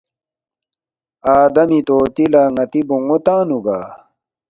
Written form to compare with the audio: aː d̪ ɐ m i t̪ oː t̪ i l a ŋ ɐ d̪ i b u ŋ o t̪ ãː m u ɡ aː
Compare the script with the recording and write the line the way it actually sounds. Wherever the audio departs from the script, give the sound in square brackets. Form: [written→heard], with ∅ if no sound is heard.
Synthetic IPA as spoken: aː d̪ ɐ m i t̪ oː t̪ i l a ŋ ɐ [d̪→t̪] i b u ŋ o t̪ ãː [m→n] u ɡ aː

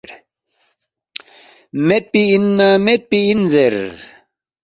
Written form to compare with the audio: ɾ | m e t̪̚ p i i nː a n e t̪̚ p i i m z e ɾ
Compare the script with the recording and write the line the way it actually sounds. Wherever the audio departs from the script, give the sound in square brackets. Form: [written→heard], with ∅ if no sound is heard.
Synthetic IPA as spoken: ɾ | m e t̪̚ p i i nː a [n→m] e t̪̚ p i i [m→n] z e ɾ

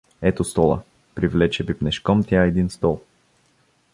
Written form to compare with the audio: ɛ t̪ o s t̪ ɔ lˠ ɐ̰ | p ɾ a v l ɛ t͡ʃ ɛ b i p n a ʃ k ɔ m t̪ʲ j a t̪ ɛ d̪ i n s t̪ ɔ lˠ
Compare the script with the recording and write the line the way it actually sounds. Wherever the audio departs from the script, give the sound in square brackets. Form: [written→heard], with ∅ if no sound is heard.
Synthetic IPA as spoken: ɛ t̪ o s t̪ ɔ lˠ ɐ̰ | p ɾ [a→i] v l ɛ t͡ʃ ɛ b i p n [a→ɛ] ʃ k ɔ m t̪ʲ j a [t̪→∅] ɛ d̪ i n s t̪ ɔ lˠ

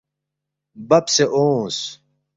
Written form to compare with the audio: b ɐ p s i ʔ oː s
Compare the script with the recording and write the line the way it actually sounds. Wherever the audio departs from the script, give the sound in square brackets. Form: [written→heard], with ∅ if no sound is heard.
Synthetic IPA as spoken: b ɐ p s [i→e] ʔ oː s

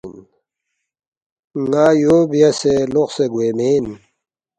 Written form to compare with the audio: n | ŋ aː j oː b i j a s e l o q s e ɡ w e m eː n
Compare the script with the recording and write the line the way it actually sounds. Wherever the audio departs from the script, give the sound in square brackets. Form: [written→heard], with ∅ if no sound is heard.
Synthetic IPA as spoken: n | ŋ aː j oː b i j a s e l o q s e ɡ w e m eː n

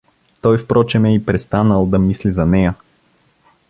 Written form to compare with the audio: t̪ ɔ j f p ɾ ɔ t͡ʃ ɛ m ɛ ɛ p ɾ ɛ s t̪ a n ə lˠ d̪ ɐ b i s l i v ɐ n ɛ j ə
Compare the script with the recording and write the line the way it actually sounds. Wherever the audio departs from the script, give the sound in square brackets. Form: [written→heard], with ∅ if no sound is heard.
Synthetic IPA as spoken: t̪ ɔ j f p ɾ ɔ t͡ʃ ɛ m ɛ [ɛ→i] p ɾ ɛ s t̪ a n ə lˠ d̪ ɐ [b→m] i s l i [v→z] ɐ n ɛ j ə

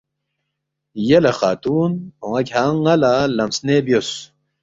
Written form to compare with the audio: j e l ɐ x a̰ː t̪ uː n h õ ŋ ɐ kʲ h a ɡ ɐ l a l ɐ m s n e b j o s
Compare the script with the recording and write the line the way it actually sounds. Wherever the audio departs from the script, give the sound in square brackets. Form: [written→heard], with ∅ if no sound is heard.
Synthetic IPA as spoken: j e l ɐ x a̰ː t̪ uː n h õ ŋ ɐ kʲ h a [ɡ→ŋ] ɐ l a l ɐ m s n e b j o s

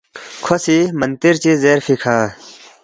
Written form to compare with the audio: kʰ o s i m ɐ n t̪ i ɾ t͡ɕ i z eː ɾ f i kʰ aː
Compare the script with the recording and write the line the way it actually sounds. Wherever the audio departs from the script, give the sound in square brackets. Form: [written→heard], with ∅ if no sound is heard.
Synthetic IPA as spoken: kʰ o s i m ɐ n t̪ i ɾ t͡ɕ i z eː ɾ f i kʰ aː

